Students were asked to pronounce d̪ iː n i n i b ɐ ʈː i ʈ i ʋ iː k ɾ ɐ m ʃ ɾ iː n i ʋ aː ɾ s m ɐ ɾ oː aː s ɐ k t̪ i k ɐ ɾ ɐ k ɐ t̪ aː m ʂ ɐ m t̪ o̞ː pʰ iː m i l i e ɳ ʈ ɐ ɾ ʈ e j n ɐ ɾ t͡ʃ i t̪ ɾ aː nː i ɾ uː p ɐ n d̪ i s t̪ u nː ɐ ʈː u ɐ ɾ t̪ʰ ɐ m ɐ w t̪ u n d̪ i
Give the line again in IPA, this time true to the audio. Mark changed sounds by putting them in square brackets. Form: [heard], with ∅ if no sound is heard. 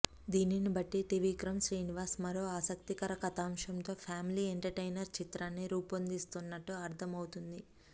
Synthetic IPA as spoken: d̪ iː n i n i b ɐ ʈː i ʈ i ʋ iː k ɾ ɐ m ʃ ɾ iː n i ʋ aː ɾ s m ɐ ɾ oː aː s ɐ k t̪ i k ɐ ɾ ɐ k ɐ t̪ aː m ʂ ɐ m t̪ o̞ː pʰ [aː] m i l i e ɳ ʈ ɐ ɾ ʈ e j n ɐ ɾ t͡ʃ i t̪ ɾ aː nː i ɾ uː p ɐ n d̪ i s t̪ u nː ɐ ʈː u ɐ ɾ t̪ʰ ɐ m ɐ w t̪ u n d̪ i

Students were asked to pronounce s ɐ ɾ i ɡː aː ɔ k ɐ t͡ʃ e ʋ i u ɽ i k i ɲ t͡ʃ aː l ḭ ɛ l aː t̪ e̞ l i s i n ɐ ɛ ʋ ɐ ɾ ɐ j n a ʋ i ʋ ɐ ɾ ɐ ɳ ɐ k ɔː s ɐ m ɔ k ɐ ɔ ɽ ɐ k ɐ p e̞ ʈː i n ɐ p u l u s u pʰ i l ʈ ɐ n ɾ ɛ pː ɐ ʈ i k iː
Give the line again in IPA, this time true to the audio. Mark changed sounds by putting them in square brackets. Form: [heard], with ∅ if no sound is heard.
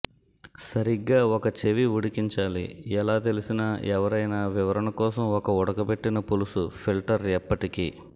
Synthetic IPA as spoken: s ɐ ɾ i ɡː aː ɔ k ɐ t͡ʃ e ʋ i u ɽ i k i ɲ t͡ʃ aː l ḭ ɛ l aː t̪ e̞ l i s i n ɐ ɛ ʋ ɐ ɾ ɐ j n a ʋ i ʋ ɐ ɾ ɐ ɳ ɐ k ɔː s ɐ m ɔ k ɐ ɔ ɽ ɐ k ɐ p e̞ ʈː i n ɐ p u l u s u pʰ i l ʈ ɐ [∅] ɾ ɛ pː ɐ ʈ i k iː

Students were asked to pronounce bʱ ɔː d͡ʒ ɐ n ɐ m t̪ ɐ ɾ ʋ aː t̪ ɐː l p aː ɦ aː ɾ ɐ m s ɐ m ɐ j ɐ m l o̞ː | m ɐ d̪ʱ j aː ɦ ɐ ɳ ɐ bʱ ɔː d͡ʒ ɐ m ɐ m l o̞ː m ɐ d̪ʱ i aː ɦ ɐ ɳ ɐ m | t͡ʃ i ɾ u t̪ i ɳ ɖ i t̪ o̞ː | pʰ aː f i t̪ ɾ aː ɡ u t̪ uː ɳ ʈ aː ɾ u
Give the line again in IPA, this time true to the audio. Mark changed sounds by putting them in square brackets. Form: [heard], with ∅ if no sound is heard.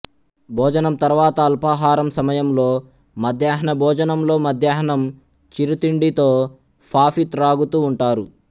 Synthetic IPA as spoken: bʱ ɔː d͡ʒ ɐ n ɐ m t̪ ɐ ɾ ʋ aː t̪ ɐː l p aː ɦ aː ɾ ɐ m s ɐ m ɐ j ɐ m l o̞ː | m ɐ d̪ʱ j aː ɦ ɐ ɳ ɐ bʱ ɔː d͡ʒ ɐ [n] ɐ m l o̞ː m ɐ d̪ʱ [j] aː ɦ ɐ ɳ ɐ m | t͡ʃ i ɾ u t̪ i ɳ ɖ i t̪ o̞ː | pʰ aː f i t̪ ɾ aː ɡ u t̪ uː ɳ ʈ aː ɾ u

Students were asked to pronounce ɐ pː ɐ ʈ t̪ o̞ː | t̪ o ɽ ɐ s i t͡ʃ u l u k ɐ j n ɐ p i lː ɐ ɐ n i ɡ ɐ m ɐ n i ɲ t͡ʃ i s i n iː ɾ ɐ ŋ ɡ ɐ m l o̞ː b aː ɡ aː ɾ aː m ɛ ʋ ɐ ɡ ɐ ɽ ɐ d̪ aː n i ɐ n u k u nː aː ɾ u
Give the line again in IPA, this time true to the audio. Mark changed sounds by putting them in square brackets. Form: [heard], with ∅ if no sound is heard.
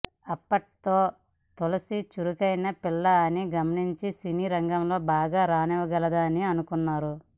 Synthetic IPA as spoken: ɐ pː ɐ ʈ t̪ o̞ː | t̪ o [l] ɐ s i t͡ʃ u [ɾ] u k ɐ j n ɐ p i lː ɐ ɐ n i ɡ ɐ m ɐ n i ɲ t͡ʃ i s i n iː ɾ ɐ ŋ ɡ ɐ m l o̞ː b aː ɡ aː ɾ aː [n] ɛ ʋ ɐ ɡ ɐ [l] ɐ d̪ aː n i ɐ n u k u nː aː ɾ u

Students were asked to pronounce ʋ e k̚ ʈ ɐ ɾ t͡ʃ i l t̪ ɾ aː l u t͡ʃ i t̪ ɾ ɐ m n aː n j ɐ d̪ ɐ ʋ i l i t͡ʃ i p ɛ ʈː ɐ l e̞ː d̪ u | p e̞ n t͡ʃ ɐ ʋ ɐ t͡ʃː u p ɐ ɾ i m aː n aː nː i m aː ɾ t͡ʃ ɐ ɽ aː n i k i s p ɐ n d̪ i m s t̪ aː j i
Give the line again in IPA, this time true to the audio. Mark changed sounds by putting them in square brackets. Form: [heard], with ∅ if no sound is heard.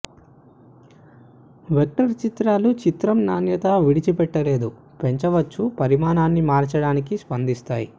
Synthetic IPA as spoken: ʋ e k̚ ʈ ɐ ɾ t͡ʃ i [∅] t̪ ɾ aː l u t͡ʃ i t̪ ɾ ɐ m n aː n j ɐ [t̪] ɐ ʋ i [ɽ] i t͡ʃ i p ɛ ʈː ɐ l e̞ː d̪ u | p e̞ [ɲ] t͡ʃ ɐ ʋ ɐ t͡ʃː u p ɐ ɾ i m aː n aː nː i m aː ɾ t͡ʃ ɐ ɽ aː n i k i s p ɐ n d̪ i [∅] s t̪ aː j i

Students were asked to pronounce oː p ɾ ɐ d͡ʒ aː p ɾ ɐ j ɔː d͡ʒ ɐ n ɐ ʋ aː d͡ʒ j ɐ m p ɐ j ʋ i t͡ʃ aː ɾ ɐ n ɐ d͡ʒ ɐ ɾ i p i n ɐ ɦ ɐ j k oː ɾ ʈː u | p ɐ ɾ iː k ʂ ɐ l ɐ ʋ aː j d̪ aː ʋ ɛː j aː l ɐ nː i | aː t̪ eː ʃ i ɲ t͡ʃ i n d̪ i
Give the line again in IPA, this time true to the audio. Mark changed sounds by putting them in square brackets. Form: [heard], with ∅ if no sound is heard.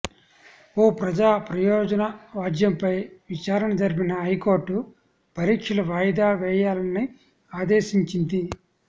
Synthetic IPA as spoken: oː p ɾ ɐ d͡ʒ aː p ɾ ɐ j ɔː d͡ʒ ɐ n ɐ ʋ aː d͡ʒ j ɐ m p ɐ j ʋ i t͡ʃ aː ɾ ɐ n ɐ d͡ʒ ɐ ɾ i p i n ɐ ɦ ɐ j k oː ɾ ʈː u | p ɐ ɾ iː k ʂ ɐ l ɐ ʋ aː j d̪ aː ʋ ɛː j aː l ɐ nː i | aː [d̪] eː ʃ i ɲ t͡ʃ i n d̪ i

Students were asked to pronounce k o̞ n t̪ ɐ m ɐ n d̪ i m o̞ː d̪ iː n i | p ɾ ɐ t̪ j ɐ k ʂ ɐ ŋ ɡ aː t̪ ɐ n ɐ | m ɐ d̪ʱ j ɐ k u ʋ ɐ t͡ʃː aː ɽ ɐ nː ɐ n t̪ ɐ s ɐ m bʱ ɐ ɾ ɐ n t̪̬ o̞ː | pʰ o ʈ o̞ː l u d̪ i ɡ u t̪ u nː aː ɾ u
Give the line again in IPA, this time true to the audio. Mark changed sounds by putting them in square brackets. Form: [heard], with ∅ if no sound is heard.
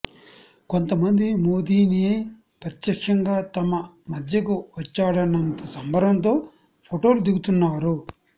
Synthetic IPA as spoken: k o̞ n t̪ ɐ m ɐ n d̪ i m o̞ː d̪ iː n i | p ɾ ɐ t̪ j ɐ k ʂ ɐ ŋ ɡ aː t̪ ɐ [m] ɐ | m ɐ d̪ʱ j ɐ k u ʋ ɐ t͡ʃː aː ɽ ɐ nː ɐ n t̪ ɐ s ɐ m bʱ ɐ ɾ ɐ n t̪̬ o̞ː | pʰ o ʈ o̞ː l u d̪ i ɡ u t̪ u nː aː ɾ u

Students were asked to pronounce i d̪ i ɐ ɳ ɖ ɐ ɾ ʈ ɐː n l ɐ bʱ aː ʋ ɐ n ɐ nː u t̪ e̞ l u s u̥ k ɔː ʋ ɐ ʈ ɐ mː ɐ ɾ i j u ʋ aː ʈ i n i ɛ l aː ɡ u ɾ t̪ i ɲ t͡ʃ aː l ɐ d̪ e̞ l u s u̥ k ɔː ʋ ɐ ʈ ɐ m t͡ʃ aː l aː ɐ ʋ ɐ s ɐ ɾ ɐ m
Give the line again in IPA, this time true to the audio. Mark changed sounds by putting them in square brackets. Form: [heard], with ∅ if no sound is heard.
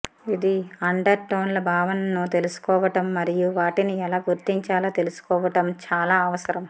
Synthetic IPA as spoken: i d̪ i ɐ ɳ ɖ ɐ ɾ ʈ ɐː n l ɐ bʱ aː ʋ ɐ n ɐ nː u t̪ e̞ l u s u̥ k ɔː ʋ ɐ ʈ ɐ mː ɐ ɾ i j u ʋ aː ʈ i n i ɛ l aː ɡ u ɾ t̪ i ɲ t͡ʃ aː l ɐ [t̪] e̞ l u s u̥ k ɔː ʋ ɐ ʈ ɐ m t͡ʃ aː l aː ɐ ʋ ɐ s ɐ ɾ ɐ m

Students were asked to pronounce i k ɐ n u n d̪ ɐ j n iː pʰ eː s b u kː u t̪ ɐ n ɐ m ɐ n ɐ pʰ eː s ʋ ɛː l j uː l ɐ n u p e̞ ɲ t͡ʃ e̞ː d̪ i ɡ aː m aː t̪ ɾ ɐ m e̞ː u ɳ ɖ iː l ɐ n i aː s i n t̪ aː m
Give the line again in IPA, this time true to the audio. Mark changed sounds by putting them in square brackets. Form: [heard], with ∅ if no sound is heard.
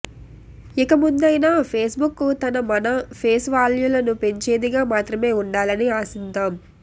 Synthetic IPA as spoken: i k ɐ [m] u n d̪ ɐ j n [aː] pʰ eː s b u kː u t̪ ɐ n ɐ m ɐ n ɐ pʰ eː s ʋ [aː] l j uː l ɐ n u p e̞ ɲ t͡ʃ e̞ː d̪ i ɡ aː m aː t̪ ɾ ɐ m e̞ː u ɳ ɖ [aː] l ɐ n i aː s i n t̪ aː m

